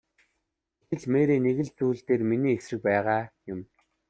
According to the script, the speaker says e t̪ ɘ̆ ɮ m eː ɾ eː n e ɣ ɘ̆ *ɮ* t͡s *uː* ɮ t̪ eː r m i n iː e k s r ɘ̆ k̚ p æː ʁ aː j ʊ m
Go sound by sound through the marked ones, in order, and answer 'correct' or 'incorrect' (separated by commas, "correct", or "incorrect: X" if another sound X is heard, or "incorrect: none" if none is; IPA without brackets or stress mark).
correct, correct